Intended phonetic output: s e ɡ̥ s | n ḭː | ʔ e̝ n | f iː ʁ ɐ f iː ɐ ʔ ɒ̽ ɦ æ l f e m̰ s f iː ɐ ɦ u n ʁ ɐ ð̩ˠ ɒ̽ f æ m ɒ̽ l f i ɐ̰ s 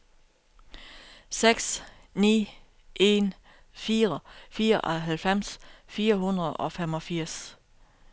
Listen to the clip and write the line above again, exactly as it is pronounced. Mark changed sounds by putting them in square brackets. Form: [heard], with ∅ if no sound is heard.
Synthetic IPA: s e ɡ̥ s | n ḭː | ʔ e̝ n | f iː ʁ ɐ f iː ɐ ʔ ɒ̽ ɦ æ l f e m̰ s f iː ɐ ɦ u n ʁ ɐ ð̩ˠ ɒ̽ f [e] m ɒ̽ [∅] f i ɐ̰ s